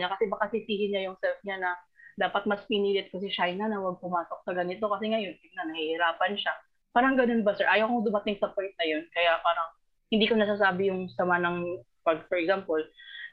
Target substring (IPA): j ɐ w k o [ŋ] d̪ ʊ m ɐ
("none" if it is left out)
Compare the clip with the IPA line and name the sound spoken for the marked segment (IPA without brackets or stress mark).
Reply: ŋ